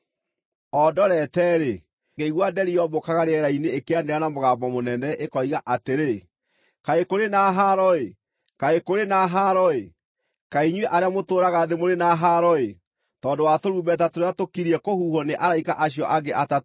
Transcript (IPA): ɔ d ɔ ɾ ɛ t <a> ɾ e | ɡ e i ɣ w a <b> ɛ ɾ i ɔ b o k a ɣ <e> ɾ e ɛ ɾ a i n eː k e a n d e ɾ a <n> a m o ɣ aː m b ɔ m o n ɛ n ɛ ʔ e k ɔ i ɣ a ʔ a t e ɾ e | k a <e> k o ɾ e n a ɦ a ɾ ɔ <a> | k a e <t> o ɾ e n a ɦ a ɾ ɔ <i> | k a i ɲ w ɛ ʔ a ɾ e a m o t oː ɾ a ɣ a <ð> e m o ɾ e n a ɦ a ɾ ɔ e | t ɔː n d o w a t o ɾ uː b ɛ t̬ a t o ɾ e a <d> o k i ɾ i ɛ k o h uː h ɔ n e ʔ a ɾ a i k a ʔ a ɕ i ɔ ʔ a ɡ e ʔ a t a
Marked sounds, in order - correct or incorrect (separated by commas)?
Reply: incorrect, incorrect, incorrect, correct, correct, incorrect, incorrect, incorrect, correct, incorrect